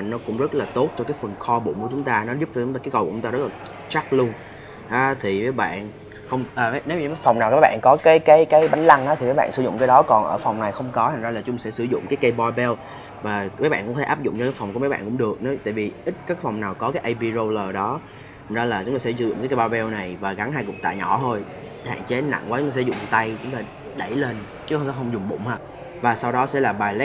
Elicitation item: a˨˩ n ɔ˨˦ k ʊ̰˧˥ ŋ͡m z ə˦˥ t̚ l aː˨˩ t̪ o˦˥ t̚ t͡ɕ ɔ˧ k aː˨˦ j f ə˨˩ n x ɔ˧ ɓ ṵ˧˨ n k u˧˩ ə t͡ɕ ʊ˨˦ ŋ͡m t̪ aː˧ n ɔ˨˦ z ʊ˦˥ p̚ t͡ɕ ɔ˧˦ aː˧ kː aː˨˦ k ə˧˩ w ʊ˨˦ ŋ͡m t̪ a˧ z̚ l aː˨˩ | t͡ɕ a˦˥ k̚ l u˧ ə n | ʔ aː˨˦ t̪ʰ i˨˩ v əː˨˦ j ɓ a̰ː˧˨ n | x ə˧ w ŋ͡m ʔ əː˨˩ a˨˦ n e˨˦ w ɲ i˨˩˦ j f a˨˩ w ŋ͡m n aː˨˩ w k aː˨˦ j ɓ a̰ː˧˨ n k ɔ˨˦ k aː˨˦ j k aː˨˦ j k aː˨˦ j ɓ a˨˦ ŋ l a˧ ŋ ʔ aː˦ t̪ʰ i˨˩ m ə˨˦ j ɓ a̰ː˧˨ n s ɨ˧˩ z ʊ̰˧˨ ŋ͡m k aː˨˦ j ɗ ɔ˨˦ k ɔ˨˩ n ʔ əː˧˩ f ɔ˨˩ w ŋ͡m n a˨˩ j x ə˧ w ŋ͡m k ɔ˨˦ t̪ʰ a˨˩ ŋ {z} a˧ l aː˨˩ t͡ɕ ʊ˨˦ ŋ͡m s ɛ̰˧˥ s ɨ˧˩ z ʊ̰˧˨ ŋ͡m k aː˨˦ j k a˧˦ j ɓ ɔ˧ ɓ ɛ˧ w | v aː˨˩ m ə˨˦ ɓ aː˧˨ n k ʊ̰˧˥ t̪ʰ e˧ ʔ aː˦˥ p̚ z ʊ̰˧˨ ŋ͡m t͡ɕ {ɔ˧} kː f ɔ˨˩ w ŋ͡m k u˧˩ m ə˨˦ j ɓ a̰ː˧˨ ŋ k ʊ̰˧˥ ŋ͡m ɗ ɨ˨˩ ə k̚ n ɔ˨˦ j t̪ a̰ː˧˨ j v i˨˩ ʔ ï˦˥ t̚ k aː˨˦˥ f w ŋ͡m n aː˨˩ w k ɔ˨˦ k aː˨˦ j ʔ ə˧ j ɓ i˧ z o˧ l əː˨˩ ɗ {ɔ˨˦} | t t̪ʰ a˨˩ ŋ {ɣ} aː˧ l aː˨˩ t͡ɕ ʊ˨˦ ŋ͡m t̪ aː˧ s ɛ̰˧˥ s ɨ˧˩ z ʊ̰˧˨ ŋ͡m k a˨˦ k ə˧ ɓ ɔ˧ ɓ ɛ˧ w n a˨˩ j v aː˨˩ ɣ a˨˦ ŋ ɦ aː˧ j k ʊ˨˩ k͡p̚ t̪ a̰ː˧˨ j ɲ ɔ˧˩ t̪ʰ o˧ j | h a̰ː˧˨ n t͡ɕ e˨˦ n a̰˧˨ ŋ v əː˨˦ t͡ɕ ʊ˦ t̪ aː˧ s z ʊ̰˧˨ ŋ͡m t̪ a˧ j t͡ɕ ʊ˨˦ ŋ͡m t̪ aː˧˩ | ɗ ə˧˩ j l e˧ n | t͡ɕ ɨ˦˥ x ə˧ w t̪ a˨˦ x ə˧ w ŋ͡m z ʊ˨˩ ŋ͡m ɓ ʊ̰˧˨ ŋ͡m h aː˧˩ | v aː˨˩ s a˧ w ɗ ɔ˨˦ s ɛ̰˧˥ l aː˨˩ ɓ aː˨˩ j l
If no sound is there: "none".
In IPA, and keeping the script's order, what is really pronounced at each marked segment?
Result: z, ɔ˧, ɔ˨˦, z

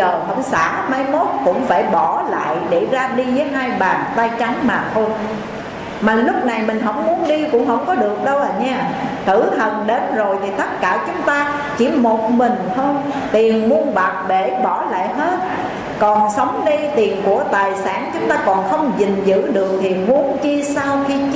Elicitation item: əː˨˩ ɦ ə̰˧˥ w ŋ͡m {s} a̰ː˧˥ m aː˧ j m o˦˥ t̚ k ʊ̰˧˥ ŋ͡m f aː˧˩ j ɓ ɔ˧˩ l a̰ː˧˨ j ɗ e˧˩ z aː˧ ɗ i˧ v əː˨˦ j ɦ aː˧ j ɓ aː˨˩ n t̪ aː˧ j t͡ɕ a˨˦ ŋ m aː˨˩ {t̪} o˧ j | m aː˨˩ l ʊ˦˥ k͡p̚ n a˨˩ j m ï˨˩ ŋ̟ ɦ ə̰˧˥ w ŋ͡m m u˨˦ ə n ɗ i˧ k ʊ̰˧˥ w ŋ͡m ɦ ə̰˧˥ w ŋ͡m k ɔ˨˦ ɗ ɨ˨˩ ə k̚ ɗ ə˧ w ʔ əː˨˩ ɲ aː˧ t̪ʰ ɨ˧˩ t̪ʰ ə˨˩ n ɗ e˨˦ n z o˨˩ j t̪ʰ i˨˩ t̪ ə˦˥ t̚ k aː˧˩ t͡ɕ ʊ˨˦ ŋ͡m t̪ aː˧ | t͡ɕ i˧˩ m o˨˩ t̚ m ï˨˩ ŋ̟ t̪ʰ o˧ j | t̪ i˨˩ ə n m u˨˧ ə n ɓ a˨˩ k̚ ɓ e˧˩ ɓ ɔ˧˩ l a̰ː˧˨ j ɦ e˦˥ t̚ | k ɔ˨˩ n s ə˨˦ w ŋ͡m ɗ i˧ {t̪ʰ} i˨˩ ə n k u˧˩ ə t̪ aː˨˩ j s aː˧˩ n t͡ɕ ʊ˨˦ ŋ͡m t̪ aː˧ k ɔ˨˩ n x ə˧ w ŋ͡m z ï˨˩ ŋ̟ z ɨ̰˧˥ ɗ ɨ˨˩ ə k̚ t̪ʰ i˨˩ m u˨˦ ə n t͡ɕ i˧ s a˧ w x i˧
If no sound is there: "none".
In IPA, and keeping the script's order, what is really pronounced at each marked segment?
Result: s, t̪ʰ, t̪

